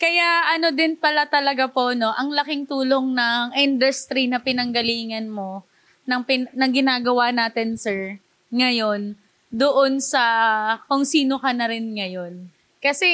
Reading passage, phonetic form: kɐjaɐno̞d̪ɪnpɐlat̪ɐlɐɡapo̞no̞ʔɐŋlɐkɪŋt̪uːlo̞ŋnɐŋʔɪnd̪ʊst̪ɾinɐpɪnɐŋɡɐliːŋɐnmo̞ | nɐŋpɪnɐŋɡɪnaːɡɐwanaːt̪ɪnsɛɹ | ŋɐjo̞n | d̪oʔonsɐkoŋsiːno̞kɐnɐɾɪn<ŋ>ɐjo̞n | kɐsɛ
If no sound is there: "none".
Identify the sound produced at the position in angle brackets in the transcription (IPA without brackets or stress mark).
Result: ŋ